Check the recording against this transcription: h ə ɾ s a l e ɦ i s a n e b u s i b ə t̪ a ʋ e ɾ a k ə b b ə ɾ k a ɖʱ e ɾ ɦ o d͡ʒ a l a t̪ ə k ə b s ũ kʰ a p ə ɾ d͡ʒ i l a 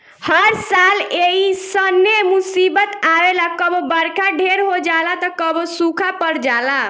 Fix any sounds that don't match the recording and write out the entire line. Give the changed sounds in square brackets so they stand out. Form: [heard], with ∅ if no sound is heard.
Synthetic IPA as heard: h ə ɾ s a l e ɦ i s [ə] n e [m] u s i b ə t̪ a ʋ e [l] a k ə b b ə ɾ k a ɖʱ e ɾ ɦ o d͡ʒ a l a t̪ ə k ə b s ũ kʰ a p ə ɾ d͡ʒ [a] l a

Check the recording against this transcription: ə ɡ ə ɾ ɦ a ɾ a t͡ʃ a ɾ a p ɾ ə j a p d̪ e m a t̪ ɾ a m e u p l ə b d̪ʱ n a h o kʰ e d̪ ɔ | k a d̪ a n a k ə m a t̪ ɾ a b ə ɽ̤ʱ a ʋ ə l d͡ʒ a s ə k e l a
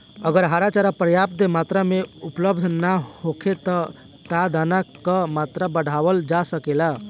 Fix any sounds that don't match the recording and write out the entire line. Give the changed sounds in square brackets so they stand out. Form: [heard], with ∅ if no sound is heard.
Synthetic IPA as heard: ə ɡ ə ɾ ɦ a ɾ a t͡ʃ a ɾ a p ɾ ə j a p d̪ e m a t̪ ɾ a m e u p l ə b d̪ʱ n a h o kʰ e [t̪] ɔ | k a d̪ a n a k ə m a t̪ ɾ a b ə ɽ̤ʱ a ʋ ə l d͡ʒ a s ə k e l a

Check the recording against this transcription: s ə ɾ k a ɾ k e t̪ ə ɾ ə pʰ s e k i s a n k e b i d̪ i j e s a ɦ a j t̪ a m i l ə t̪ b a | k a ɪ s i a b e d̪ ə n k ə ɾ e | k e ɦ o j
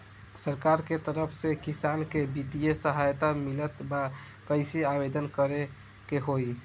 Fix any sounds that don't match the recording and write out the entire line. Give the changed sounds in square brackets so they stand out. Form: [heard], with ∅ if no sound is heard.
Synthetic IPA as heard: s ə ɾ k a ɾ k e t̪ ə ɾ ə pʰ s e k i s a n k e b i d̪ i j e s [ə] ɦ a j t̪ a m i l ə t̪ b a | k [ə] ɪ s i a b e d̪ ə n k ə ɾ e | k e ɦ o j

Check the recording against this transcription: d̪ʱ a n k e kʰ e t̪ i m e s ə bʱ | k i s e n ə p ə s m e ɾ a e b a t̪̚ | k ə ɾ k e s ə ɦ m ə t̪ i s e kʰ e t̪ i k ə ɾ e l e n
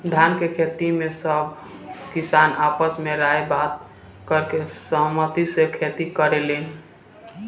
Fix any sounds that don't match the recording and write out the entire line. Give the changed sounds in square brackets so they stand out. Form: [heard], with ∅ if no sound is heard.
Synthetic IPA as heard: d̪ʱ a n k e kʰ e t̪ i m e s ə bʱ | k i s [a] n [a] p ə s m e ɾ a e b a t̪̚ | k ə ɾ k e s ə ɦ m ə t̪ i s e kʰ e t̪ i k ə ɾ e l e n

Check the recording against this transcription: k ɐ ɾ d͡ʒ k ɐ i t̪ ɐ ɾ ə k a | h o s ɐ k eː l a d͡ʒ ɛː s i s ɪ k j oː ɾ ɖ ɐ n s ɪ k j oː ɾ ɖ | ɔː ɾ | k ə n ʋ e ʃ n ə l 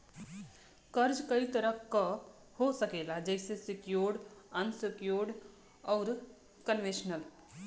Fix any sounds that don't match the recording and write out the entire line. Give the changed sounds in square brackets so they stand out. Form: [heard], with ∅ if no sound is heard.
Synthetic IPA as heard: k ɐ ɾ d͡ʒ k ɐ i t̪ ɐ ɾ ə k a | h o s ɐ k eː l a d͡ʒ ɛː s [e] s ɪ k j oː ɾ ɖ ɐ n s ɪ k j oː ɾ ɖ | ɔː ɾ | k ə n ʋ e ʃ n ə l

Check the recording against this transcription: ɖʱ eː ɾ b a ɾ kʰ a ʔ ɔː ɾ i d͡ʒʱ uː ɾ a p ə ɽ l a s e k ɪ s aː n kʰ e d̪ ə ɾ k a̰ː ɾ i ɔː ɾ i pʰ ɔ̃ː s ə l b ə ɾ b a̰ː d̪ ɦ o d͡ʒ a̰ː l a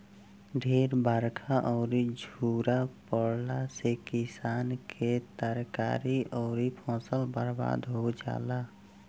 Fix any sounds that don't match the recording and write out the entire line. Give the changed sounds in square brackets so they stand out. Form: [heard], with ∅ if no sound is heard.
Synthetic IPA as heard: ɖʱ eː ɾ b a ɾ kʰ a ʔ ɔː ɾ i d͡ʒʱ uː ɾ a p ə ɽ l a s e k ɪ s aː n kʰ e [t̪] ə ɾ k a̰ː ɾ i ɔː ɾ i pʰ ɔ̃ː s ə l b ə ɾ b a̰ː d̪ ɦ o d͡ʒ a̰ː l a

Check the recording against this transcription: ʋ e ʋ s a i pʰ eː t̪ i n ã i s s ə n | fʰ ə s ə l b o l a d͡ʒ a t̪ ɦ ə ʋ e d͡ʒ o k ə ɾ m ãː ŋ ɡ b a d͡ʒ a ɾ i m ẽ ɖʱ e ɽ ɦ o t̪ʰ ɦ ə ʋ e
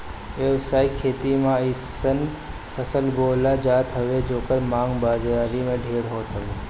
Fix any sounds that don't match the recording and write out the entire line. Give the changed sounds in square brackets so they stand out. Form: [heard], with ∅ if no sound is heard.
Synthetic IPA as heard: ʋ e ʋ s a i [kʰ] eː t̪ i [m] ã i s s ə n | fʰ ə s ə l b o l a d͡ʒ a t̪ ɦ ə ʋ e d͡ʒ o k ə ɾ m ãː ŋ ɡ b a d͡ʒ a ɾ i m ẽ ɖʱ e ɽ ɦ o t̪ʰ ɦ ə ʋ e

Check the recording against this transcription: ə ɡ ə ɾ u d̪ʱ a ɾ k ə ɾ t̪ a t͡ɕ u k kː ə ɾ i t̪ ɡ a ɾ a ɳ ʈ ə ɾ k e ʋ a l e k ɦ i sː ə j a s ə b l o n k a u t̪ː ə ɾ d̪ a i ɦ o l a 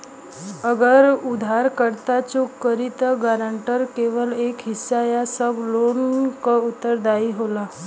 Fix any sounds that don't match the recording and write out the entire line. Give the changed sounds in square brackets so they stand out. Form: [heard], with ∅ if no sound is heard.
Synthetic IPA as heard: ə ɡ ə ɾ u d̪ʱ a ɾ k ə ɾ t̪ a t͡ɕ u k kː ə ɾ i t̪ ɡ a ɾ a ɳ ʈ ə ɾ k e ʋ [ə] l e k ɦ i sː [a] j a s ə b l o n k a u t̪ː ə ɾ d̪ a i ɦ o l a

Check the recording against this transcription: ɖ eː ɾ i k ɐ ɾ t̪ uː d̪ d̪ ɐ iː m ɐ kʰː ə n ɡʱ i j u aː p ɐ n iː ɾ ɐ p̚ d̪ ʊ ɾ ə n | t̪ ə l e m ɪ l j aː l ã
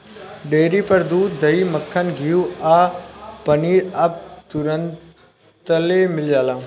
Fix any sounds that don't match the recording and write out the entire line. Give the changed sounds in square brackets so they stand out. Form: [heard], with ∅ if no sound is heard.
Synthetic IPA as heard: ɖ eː ɾ i [p] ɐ ɾ [d̪] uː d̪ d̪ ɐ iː m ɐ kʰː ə n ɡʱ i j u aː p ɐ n iː ɾ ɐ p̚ [t̪] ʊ ɾ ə n | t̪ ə l e m ɪ l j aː l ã

